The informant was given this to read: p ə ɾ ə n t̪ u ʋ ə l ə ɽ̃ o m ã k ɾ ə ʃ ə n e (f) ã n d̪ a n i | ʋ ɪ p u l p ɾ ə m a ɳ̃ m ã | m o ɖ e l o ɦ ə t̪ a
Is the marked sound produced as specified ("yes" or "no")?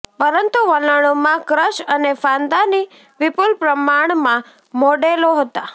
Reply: yes